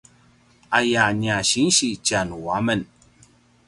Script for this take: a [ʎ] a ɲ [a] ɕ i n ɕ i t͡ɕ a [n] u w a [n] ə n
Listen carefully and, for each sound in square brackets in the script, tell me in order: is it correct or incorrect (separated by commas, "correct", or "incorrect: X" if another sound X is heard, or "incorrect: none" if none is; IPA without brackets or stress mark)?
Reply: incorrect: j, correct, correct, incorrect: m